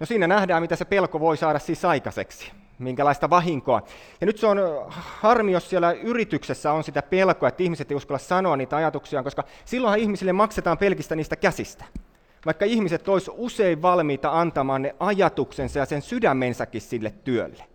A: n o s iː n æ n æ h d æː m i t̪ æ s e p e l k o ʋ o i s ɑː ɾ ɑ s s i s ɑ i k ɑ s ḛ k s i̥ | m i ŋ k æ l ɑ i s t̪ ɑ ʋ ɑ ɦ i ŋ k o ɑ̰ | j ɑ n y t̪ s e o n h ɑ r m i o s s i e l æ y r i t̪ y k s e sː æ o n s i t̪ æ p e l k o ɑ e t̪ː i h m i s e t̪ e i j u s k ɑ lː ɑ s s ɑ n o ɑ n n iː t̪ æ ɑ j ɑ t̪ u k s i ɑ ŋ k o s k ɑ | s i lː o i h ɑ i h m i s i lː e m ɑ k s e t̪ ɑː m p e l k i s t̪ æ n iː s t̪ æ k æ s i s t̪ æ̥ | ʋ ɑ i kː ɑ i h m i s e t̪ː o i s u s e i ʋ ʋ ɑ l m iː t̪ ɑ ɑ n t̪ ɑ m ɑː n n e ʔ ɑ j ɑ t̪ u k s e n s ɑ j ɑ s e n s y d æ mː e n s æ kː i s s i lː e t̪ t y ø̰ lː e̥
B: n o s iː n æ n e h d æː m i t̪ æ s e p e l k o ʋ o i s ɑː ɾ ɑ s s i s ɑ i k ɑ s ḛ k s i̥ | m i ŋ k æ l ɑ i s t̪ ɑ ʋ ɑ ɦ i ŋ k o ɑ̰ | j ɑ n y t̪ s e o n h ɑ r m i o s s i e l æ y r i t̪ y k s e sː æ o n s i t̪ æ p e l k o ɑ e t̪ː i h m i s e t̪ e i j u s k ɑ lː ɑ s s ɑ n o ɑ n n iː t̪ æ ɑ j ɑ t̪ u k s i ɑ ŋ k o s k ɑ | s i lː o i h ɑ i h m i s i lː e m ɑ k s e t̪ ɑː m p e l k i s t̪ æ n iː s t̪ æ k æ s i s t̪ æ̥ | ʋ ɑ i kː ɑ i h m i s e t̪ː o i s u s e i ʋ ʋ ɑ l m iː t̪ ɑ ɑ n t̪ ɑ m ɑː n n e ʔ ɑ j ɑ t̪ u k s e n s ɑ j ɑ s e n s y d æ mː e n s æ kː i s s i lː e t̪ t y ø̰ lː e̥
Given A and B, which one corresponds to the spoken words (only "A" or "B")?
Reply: A